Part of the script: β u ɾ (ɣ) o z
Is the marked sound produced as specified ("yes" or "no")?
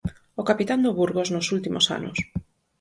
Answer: yes